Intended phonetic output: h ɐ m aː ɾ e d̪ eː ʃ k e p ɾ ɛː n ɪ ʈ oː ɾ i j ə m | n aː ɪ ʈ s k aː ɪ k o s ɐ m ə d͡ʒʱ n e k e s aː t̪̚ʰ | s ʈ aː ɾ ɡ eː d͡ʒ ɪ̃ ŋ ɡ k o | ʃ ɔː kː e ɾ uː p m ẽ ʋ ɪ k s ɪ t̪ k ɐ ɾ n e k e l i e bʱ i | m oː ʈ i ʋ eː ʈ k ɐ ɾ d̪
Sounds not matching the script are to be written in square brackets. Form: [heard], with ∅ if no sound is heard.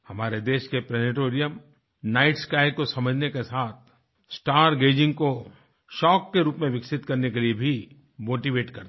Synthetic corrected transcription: h ɐ m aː ɾ e d̪ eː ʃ k e p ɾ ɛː n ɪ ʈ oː ɾ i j ə m | n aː ɪ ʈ s k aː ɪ k o s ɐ m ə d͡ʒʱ n e k e s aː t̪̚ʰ | s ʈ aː ɾ ɡ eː d͡ʒ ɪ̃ ŋ ɡ k o | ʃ ɔː kː e ɾ uː p m ẽ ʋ ɪ k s ɪ t̪ k ɐ ɾ n e k e l i e bʱ i | m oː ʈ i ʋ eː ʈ k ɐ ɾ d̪